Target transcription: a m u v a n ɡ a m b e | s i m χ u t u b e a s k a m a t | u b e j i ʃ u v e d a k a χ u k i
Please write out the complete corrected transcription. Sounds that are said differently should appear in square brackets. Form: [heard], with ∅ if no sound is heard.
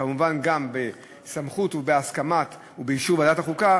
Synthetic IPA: a m u v a n ɡ a m b e | s [a] m χ u t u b e a s k a m a t | u b e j i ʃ u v [a] d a [t] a χ u k [a]